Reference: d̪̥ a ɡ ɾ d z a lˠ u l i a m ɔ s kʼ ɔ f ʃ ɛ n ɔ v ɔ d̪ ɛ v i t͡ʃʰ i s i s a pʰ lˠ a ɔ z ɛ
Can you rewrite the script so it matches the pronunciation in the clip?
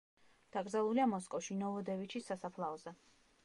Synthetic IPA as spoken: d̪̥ a ɡ ɾ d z a lˠ u l i a m ɔ s kʼ ɔ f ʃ i n ɔ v ɔ d̪ ɛ v i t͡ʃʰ i s a s a pʰ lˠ a ɔ z ɛ